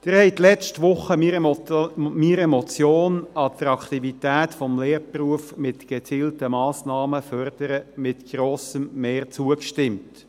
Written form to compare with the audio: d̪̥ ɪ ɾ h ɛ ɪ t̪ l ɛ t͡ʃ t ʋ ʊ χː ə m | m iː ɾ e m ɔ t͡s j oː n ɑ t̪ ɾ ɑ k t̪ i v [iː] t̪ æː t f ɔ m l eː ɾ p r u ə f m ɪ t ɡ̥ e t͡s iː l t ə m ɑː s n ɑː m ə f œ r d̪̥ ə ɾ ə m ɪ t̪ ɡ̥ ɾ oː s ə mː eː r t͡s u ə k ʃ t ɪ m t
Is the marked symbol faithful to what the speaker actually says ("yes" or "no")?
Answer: no